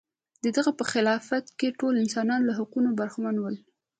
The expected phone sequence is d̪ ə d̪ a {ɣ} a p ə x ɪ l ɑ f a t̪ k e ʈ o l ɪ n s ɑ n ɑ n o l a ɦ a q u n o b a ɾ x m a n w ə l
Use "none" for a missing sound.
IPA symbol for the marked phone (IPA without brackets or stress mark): ɣ